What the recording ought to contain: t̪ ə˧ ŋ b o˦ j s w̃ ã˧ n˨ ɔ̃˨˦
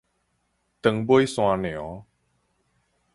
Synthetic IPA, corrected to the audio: t̪ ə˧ ŋ b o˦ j s w̃ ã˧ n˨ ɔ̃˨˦